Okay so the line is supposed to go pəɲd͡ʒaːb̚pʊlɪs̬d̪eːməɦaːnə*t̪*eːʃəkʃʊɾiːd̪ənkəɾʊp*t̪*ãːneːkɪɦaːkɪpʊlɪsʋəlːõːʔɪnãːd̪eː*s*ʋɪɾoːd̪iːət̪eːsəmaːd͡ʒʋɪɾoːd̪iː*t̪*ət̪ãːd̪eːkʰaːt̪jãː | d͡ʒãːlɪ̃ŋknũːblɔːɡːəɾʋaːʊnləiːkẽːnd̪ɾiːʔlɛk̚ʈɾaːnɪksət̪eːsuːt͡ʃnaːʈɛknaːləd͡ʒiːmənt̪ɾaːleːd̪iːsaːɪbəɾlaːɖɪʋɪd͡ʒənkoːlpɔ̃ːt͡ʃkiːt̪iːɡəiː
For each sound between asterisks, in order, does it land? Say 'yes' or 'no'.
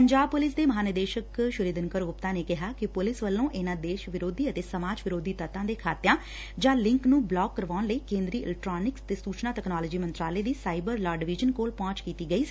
no, yes, no, yes

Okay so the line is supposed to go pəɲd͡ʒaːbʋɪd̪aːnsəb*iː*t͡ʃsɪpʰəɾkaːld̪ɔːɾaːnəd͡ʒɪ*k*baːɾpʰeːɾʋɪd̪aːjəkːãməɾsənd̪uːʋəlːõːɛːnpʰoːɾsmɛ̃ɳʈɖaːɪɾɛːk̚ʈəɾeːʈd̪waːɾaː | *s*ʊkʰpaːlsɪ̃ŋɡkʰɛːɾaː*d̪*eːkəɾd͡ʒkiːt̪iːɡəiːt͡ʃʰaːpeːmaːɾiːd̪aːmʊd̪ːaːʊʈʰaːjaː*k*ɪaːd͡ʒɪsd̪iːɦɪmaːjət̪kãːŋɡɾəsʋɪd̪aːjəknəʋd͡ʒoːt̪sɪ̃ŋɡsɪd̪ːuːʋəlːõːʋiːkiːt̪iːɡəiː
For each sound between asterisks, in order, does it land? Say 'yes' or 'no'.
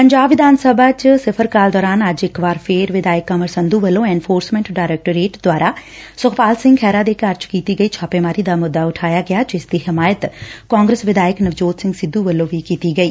no, yes, yes, yes, no

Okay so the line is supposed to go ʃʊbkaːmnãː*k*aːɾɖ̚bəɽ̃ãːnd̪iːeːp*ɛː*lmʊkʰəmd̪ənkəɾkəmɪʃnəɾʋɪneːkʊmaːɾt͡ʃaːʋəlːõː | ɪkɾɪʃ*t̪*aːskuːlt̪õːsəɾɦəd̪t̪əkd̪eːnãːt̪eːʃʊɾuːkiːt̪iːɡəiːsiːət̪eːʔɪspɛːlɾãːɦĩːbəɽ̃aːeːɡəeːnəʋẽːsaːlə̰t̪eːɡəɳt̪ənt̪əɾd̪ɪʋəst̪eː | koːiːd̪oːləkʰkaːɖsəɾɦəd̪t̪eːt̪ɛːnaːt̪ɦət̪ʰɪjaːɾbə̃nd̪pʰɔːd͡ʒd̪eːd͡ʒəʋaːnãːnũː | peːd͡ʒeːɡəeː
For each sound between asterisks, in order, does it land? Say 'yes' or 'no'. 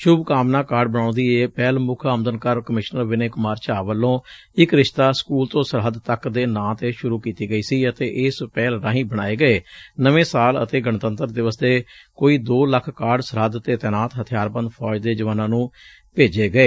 yes, yes, yes

